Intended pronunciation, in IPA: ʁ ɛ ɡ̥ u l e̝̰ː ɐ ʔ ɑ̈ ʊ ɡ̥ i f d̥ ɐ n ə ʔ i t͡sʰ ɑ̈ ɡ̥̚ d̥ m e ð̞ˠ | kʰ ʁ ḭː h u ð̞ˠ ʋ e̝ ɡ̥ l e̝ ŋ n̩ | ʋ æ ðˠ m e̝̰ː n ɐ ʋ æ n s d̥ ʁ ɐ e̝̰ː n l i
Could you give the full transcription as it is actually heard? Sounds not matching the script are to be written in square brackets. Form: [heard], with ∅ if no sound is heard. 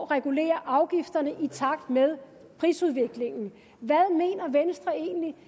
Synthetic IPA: ʁ ɛ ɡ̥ u l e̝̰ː ɐ ʔ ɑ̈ ʊ ɡ̥ i f d̥ ɐ n ə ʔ i t͡sʰ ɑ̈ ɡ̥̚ d̥ m e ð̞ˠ | [pʰ] ʁ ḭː [s] u ð̞ˠ ʋ e̝ ɡ̥ l e̝ ŋ n̩ | ʋ æ ðˠ m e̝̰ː n ɐ ʋ [e] n s d̥ ʁ ɐ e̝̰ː n l i